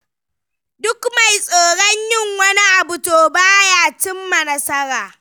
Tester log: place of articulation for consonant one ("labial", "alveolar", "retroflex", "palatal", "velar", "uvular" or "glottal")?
alveolar